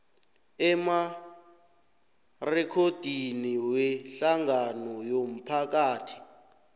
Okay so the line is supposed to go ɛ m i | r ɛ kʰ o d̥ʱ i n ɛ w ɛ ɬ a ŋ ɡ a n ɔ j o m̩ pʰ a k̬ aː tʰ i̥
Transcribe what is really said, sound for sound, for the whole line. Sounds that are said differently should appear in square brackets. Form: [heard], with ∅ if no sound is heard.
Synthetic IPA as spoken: ɛ m [a] | r ɛ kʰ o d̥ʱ i n [i] w ɛ ɬ a ŋ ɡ a n ɔ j o m̩ pʰ a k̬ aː tʰ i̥